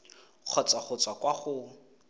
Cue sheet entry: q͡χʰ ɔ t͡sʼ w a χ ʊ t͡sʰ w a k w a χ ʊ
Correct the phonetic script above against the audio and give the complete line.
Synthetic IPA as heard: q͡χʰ ɔ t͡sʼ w a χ ʊ t͡s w a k w a χ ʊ